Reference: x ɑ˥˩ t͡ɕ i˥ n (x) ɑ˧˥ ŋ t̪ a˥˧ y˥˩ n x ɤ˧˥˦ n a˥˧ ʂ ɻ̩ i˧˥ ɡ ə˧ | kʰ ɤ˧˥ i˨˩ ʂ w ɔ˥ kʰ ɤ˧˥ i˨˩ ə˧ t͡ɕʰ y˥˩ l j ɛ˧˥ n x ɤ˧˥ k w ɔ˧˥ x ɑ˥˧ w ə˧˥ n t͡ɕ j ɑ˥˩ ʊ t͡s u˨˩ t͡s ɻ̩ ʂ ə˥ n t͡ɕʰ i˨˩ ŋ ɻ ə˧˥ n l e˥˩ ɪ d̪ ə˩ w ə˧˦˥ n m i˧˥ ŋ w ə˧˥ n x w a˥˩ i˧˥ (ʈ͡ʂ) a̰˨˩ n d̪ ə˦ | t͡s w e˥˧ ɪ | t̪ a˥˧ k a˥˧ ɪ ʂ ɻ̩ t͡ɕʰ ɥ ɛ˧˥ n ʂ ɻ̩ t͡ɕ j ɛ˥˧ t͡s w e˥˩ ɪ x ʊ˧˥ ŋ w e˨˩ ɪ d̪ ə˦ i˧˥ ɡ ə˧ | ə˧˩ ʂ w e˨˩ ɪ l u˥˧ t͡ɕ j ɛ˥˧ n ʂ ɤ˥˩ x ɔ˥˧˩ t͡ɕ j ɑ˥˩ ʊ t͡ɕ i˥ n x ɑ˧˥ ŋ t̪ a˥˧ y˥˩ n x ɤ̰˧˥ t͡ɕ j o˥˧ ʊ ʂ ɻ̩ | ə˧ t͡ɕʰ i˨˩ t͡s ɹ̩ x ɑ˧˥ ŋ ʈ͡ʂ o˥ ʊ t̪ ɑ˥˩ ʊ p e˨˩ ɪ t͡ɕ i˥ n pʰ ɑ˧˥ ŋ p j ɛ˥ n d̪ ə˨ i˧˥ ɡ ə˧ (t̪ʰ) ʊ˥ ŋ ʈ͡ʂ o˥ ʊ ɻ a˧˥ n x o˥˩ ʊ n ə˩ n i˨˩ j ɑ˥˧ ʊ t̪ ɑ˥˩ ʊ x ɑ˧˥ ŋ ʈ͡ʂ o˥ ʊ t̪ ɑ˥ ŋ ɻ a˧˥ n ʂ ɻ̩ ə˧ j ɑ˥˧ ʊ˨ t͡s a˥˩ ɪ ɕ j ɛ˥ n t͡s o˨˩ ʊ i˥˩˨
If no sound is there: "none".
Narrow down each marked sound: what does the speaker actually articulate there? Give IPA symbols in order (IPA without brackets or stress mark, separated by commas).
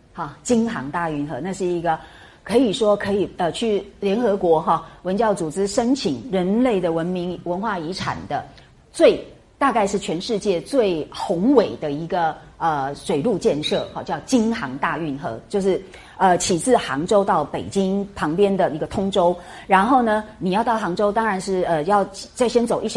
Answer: x, ʈ͡ʂʰ, t̪ʰ